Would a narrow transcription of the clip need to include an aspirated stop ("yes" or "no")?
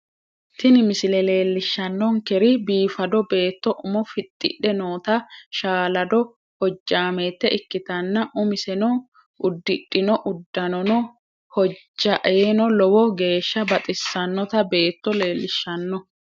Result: no